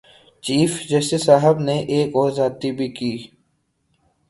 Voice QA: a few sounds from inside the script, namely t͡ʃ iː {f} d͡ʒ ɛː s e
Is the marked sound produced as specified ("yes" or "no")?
yes